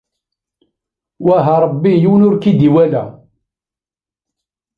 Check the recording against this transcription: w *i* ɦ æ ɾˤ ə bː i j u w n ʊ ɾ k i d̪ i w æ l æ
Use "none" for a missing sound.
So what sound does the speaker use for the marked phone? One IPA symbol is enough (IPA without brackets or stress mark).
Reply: æ